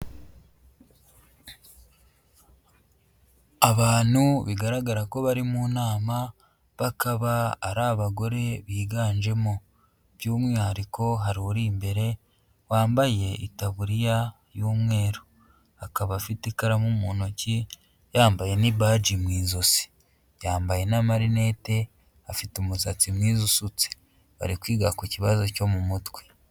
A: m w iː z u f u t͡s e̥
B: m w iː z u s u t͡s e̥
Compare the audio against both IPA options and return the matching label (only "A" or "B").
B